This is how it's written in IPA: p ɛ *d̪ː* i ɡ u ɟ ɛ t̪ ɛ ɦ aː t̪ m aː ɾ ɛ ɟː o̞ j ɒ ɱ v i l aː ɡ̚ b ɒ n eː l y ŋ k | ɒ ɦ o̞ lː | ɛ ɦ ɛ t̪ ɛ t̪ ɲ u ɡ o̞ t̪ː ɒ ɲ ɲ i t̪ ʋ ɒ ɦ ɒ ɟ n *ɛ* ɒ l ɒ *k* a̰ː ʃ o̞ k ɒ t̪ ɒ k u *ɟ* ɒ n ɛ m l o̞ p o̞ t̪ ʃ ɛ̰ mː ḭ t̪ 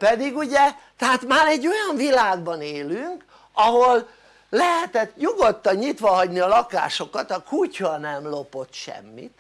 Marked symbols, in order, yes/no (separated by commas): no, no, yes, no